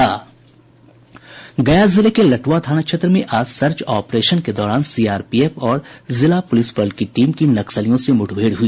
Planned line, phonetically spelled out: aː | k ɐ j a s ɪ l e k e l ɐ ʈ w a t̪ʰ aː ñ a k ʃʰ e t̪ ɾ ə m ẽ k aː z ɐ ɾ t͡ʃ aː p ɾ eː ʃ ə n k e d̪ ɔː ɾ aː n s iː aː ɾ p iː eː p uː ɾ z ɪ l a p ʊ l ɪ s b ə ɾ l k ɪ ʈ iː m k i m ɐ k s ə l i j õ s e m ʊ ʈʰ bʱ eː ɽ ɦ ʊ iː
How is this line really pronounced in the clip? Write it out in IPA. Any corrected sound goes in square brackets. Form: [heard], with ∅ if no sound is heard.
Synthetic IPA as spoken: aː | [ɡ] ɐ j a [z] ɪ l e k e l ɐ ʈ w a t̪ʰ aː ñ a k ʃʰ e t̪ ɾ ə m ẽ [ʔ] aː [s] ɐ ɾ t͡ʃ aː p ɾ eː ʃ ə n k e d̪ ɔː ɾ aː n s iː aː ɾ p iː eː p [ɔː] ɾ z ɪ l a p ʊ l ɪ s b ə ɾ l k [i] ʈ iː m k i [n] ɐ k s ə l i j õ s e m ʊ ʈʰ bʱ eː ɽ ɦ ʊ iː